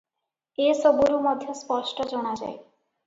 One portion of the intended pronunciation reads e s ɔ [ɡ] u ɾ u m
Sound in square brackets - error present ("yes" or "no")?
yes